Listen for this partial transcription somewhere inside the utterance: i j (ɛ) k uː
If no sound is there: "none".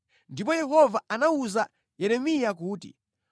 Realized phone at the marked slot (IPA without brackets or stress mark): a